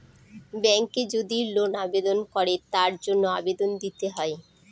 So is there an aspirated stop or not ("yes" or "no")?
no